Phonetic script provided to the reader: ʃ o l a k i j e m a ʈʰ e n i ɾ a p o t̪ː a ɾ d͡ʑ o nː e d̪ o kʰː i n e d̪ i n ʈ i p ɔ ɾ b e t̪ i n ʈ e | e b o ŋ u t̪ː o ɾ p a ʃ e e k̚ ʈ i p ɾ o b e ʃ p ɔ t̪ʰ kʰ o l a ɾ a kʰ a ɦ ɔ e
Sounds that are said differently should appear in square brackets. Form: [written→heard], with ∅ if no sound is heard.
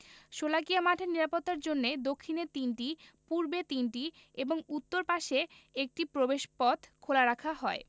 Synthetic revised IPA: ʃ o l a k i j [e→a] m a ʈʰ e n i ɾ a p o t̪ː a ɾ d͡ʑ o nː e d̪ o kʰː i n e [d̪→t̪] i n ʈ i p [ɔ→u] ɾ b e t̪ i n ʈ [e→i] | e b o ŋ u t̪ː o ɾ p a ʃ e e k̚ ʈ i p ɾ o b e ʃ p ɔ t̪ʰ kʰ o l a ɾ a kʰ a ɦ ɔ e

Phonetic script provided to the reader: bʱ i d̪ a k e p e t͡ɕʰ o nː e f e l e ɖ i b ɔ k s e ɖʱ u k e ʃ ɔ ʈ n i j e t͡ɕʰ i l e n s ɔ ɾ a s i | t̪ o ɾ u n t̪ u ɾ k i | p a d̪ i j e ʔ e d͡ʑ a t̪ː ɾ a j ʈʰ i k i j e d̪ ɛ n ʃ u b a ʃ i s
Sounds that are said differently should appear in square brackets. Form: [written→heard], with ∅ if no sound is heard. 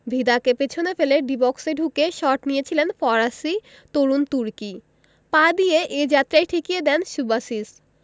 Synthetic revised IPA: bʱ i d̪ a k e p e t͡ɕʰ o [nː→n] e f e l e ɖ i b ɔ k s e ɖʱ u k e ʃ ɔ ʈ n i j e t͡ɕʰ i l e n [s→f] ɔ ɾ a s i | t̪ o ɾ u n t̪ u ɾ k i | p a d̪ i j e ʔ e d͡ʑ a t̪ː ɾ a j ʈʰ i k i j e d̪ ɛ n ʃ u b a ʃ i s

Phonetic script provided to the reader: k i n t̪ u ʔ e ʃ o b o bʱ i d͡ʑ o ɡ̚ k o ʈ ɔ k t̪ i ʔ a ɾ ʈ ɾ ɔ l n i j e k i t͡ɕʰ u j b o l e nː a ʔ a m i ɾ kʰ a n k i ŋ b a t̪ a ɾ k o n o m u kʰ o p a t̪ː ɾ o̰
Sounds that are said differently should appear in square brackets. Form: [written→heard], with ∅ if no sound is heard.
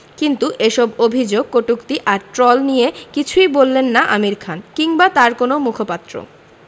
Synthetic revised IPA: k i n t̪ u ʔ e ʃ [o→ɔ] b o bʱ i d͡ʑ o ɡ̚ k o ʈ [ɔ→u] k t̪ i ʔ a ɾ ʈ ɾ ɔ l n i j e k i t͡ɕʰ u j b o [l→lː] e nː a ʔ a m i ɾ kʰ a n k i ŋ b a t̪ a ɾ k o n o m u kʰ o p a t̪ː ɾ o̰

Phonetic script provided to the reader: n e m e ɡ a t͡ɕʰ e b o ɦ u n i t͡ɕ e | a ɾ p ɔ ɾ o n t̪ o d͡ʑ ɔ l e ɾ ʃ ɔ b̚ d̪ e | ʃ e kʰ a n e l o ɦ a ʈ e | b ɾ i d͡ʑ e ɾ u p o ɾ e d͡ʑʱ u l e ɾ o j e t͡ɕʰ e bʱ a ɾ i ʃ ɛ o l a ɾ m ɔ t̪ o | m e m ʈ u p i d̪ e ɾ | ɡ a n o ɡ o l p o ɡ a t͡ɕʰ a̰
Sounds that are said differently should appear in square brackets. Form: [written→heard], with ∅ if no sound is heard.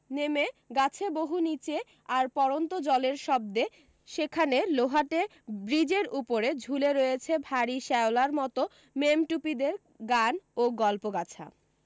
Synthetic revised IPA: n e m e ɡ a t͡ɕʰ e b o ɦ u n i t͡ɕ e | a ɾ p ɔ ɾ o n t̪ o d͡ʑ ɔ l e ɾ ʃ ɔ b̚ d̪ e | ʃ e kʰ a n e l o ɦ a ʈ e | b ɾ i d͡ʑ e ɾ u p o ɾ e d͡ʑʱ u l e ɾ o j e t͡ɕʰ e bʱ a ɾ i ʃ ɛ o l a ɾ m ɔ t̪ o | m e m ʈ u p i d̪ e ɾ | ɡ a n o ɡ [o→ɔ] l p o ɡ a t͡ɕʰ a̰

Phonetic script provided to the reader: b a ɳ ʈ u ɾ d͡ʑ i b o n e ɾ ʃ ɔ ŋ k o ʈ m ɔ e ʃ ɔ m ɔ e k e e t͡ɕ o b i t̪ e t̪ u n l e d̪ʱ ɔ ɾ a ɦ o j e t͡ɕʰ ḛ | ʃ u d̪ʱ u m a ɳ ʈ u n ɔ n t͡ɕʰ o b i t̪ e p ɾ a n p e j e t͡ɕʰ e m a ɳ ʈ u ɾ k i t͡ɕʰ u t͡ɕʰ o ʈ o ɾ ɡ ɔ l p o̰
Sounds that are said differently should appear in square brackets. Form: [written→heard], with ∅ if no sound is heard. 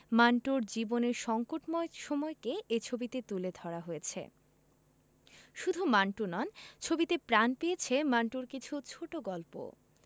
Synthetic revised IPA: [b→m] a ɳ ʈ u ɾ d͡ʑ i b o n e ɾ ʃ ɔ ŋ k o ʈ m ɔ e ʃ ɔ m ɔ e k e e [t͡ɕ→t͡ɕʰ] o b i t̪ e t̪ u [n→∅] l e d̪ʱ ɔ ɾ a ɦ o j e t͡ɕʰ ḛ | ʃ u d̪ʱ u m a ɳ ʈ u n ɔ n t͡ɕʰ o b i t̪ e p ɾ a n p e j e t͡ɕʰ e m a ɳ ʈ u ɾ k i t͡ɕʰ u t͡ɕʰ o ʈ o [ɾ→∅] ɡ ɔ l p o̰

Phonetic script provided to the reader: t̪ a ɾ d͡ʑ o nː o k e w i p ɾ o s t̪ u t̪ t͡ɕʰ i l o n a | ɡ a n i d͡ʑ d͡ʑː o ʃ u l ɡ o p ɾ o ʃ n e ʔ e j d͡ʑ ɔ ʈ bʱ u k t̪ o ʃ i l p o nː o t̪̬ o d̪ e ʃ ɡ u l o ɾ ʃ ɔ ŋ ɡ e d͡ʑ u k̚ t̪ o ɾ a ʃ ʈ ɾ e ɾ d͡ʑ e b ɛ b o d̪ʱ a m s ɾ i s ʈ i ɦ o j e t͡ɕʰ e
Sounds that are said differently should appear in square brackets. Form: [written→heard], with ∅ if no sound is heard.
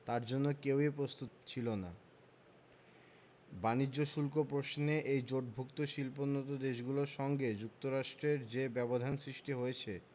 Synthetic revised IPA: t̪ a ɾ d͡ʑ o nː o k e w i p ɾ o s t̪ u t̪ t͡ɕʰ i l o n a | [ɡ→b] a n i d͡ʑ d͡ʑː o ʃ u l [ɡ→k] o p ɾ o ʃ n e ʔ e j d͡ʑ [ɔ→o] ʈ bʱ u k t̪ o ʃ i l p o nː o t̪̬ o d̪ e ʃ ɡ u l o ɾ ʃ ɔ ŋ ɡ e d͡ʑ u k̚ t̪ o ɾ a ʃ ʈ ɾ e ɾ d͡ʑ e b ɛ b o d̪ʱ a [m→n] s ɾ i [s→ʃ] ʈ i ɦ o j e t͡ɕʰ e

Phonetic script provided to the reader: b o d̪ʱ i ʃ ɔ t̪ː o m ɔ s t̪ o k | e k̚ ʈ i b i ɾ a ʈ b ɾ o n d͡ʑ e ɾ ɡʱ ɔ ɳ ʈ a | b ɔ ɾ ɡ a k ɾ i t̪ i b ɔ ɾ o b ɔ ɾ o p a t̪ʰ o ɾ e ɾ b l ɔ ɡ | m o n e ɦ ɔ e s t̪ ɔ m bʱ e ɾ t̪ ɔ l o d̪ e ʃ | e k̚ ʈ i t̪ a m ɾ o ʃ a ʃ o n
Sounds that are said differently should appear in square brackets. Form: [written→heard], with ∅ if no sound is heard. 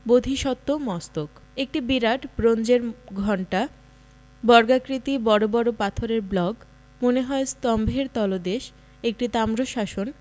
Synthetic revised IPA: b o d̪ʱ i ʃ ɔ t̪ː o m ɔ s t̪ o k | e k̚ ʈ i b i ɾ a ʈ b ɾ o n d͡ʑ e ɾ ɡʱ ɔ ɳ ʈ a | b ɔ ɾ ɡ a k ɾ i t̪ i b ɔ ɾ o b ɔ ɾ o p a t̪ʰ o ɾ e ɾ b l ɔ ɡ | m o n e ɦ ɔ e s t̪ ɔ m bʱ e ɾ t̪ ɔ l o d̪ e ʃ | e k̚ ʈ i t̪ a m ɾ o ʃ a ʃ o n

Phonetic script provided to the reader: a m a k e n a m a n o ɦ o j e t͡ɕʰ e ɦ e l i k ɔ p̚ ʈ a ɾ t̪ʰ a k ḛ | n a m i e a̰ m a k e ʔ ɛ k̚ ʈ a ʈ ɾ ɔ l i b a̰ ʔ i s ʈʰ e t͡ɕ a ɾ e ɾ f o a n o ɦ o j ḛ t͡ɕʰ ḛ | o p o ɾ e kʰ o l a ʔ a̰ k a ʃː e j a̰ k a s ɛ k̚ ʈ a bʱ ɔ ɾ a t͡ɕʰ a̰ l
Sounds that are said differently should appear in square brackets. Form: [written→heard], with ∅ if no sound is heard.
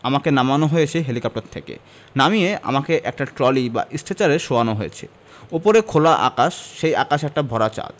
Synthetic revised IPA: a m a k e n a m a n o ɦ o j e t͡ɕʰ e ɦ e l i k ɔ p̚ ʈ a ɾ t̪ʰ [a→e] k ḛ | n a m i e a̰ m a k e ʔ ɛ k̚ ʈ a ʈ ɾ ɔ l i b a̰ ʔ i s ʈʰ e t͡ɕ a ɾ e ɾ [f→ʃ] o a n o ɦ o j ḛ t͡ɕʰ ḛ | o p o ɾ e kʰ o l a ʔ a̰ k a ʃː e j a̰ k a [s→ʃ] ɛ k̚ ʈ a bʱ ɔ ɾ a [t͡ɕʰ→t͡ɕ] a̰ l

